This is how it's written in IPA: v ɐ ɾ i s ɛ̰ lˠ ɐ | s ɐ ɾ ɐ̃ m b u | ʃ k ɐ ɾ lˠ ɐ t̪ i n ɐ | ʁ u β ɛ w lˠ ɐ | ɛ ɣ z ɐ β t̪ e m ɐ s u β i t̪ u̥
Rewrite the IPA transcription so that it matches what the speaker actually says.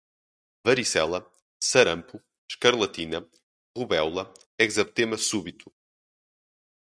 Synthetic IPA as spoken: v ɐ ɾ i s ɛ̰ lˠ ɐ | s ɐ ɾ ɐ̃ m p u | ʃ k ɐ ɾ lˠ ɐ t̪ i n ɐ | ʁ u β ɛ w lˠ ɐ | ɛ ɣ z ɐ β t̪ e m ɐ s u β i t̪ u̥